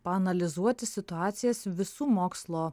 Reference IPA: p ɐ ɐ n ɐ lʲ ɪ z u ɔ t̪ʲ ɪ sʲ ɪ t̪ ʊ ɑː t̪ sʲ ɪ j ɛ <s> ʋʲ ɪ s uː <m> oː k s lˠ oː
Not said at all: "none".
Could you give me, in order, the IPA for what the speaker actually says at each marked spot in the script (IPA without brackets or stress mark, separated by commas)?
s, m